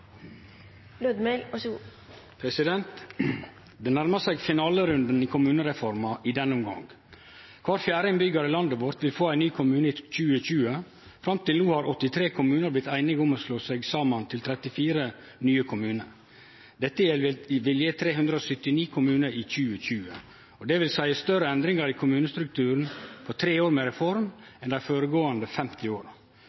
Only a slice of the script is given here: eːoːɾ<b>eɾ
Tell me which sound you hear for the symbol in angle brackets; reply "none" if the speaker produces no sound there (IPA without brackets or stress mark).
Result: m